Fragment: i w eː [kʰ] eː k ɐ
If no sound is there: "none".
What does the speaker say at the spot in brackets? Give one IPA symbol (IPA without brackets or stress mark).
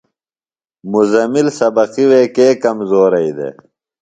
k